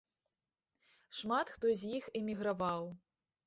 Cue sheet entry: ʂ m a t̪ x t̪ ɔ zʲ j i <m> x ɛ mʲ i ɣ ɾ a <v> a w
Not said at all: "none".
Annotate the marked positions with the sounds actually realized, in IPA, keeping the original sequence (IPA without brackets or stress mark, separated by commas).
none, v